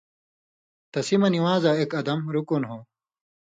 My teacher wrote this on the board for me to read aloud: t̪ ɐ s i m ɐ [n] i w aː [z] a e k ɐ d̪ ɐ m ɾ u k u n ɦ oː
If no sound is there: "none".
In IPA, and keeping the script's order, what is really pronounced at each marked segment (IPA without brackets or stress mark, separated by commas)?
n, z